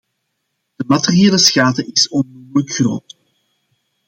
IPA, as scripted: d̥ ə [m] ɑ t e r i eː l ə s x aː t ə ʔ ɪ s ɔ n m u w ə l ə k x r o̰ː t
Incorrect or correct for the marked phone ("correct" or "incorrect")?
correct